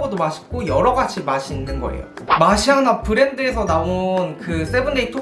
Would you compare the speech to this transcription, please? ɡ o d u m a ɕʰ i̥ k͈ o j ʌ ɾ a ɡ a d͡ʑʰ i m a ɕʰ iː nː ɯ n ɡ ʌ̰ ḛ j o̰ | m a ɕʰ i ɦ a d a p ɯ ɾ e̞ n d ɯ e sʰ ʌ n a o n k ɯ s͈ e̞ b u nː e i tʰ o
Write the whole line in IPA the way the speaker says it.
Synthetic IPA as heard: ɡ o d o m a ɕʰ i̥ k͈ o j ʌ ɾ ʌ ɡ a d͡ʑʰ i m a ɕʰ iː nː ɯ n ɡ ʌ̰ ḛ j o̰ | m a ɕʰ i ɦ a n a p ɯ ɾ e̞ n d ɯ e sʰ ʌ n a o n k ɯ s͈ e̞ b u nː e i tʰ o